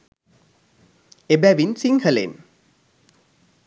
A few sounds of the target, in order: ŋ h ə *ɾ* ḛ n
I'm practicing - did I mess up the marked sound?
yes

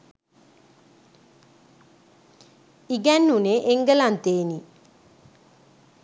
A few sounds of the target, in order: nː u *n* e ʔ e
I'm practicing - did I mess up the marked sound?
no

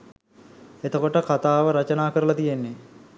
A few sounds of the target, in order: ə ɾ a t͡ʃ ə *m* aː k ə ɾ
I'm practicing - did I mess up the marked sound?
yes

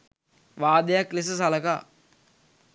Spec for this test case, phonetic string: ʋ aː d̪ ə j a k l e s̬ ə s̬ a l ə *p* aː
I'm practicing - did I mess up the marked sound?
yes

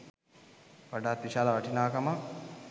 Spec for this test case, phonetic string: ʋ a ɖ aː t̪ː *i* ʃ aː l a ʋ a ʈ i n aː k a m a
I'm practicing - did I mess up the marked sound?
no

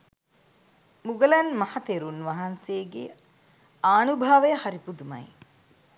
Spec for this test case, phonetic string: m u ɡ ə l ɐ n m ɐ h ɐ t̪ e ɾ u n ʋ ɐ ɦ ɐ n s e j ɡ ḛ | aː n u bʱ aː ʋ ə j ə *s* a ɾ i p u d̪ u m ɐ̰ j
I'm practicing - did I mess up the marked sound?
yes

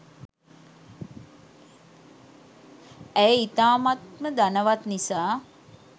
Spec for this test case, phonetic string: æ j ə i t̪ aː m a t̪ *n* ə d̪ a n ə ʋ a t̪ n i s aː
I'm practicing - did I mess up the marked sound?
yes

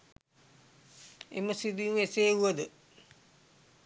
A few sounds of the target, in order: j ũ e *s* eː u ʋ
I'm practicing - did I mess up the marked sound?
no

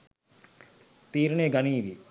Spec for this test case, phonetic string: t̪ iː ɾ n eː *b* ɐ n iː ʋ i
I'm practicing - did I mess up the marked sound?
yes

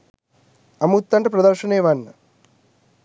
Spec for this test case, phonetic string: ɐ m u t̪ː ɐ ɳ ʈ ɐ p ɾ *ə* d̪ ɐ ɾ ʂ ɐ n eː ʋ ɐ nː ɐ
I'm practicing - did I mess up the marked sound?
yes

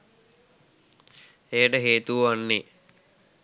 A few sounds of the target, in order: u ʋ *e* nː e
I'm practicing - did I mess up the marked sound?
yes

